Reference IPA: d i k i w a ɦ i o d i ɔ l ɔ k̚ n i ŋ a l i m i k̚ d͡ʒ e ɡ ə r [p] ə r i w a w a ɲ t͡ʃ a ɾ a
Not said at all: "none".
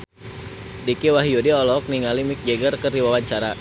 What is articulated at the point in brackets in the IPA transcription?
k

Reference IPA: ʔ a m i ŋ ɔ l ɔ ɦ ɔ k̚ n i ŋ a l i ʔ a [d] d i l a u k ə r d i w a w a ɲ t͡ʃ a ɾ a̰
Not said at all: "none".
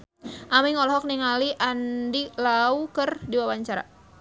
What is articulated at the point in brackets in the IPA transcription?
n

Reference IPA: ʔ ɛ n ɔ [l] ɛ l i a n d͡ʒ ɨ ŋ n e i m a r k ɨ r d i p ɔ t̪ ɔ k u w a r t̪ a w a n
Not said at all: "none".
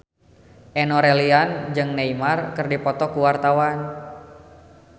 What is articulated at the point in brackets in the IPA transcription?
ɾ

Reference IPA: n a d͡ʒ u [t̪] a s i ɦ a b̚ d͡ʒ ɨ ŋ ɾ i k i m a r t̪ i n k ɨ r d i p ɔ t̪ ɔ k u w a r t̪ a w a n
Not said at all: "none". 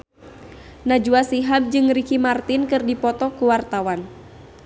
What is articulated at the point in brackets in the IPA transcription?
none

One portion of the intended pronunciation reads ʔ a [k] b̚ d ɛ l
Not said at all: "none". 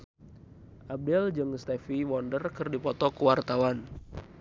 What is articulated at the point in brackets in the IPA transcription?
none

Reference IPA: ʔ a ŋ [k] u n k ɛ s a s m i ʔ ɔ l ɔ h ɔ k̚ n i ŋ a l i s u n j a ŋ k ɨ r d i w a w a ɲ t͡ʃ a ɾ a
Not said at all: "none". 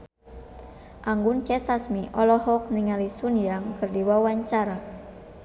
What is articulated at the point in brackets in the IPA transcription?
ɡ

